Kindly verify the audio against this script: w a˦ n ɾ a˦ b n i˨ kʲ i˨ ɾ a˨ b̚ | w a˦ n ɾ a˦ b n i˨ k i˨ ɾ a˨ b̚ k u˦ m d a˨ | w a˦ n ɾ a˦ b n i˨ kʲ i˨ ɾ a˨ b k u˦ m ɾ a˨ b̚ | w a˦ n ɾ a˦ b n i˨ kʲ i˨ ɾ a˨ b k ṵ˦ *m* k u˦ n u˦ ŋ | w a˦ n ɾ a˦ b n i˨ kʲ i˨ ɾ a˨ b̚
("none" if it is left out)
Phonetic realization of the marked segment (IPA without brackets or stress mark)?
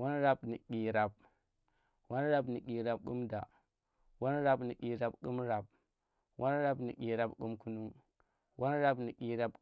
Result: m